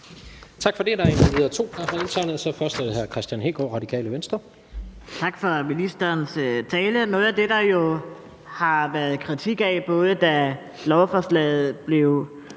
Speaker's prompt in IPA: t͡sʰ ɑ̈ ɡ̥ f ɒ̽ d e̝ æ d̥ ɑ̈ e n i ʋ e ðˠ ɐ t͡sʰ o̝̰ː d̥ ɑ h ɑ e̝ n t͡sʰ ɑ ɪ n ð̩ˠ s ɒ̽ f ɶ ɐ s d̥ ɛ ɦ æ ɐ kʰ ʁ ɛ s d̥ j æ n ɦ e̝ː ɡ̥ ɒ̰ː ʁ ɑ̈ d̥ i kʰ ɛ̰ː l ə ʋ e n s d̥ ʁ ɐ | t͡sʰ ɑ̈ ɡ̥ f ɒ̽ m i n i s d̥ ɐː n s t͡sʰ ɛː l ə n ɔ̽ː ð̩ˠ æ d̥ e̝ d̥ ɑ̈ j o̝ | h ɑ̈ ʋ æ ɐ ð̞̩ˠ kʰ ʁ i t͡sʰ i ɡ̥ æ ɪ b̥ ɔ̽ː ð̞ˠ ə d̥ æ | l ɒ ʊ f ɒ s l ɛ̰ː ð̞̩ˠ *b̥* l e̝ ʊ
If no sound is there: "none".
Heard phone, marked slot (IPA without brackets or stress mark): b̥